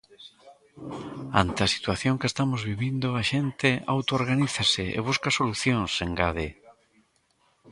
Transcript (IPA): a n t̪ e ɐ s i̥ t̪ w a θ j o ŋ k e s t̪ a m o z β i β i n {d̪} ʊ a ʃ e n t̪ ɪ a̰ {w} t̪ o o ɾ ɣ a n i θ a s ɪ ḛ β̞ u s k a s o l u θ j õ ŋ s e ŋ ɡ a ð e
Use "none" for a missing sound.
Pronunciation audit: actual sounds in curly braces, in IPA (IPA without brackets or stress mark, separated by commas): d̪, w